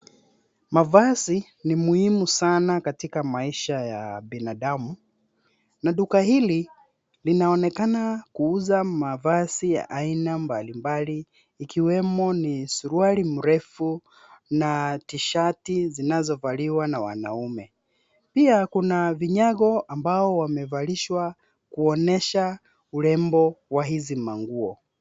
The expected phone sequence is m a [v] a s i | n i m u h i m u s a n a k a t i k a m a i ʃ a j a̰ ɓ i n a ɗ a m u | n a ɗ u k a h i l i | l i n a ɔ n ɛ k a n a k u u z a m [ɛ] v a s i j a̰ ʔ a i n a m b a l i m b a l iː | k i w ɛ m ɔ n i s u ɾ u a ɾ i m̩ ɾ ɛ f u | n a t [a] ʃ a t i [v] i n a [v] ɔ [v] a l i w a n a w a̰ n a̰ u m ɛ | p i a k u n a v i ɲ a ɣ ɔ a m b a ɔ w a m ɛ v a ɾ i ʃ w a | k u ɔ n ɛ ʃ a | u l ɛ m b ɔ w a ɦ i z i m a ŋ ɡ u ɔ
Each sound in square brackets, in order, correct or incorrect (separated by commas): correct, incorrect, incorrect, incorrect, incorrect, correct